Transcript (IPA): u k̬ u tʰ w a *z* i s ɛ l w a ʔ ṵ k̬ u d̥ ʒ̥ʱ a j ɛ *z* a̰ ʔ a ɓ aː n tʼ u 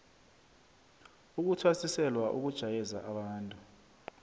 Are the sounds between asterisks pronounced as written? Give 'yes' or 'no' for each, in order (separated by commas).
no, yes